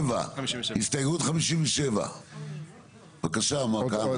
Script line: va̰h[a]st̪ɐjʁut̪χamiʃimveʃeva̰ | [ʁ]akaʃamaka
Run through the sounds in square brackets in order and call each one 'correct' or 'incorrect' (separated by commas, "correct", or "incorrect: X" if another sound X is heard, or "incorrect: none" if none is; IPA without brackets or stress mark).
incorrect: i, incorrect: v